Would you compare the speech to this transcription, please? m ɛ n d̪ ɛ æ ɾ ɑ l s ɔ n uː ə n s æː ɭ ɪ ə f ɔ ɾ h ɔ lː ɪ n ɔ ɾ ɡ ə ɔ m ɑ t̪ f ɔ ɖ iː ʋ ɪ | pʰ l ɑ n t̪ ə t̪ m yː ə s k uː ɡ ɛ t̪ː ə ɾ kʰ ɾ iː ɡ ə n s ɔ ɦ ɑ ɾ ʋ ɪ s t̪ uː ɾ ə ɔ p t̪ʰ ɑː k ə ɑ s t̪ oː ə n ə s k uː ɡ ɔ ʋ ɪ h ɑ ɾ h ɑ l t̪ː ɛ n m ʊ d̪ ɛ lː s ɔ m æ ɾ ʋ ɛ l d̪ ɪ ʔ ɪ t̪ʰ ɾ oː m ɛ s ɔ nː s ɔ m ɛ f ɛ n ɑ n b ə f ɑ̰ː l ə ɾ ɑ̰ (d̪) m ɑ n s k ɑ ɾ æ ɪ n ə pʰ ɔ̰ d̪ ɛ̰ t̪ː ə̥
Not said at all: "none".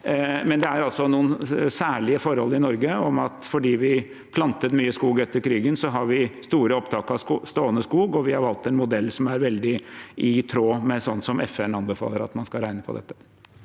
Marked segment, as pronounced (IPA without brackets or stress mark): t̪